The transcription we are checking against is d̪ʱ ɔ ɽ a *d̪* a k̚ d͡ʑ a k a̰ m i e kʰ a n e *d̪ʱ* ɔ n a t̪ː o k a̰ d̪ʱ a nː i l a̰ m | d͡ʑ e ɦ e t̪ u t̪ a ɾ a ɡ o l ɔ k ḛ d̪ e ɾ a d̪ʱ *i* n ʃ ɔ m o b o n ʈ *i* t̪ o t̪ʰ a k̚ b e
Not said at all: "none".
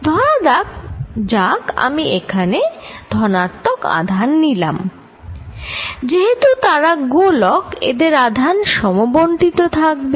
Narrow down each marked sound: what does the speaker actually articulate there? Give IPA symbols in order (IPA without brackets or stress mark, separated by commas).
d̪, d̪ʱ, a, i